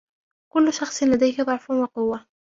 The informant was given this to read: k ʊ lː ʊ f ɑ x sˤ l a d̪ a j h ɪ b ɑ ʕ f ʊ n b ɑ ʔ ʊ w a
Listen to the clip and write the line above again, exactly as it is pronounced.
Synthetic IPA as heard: k ʊ lː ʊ ʃ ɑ x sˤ l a d̪ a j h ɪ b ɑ ʕ f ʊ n w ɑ q ʊ wː a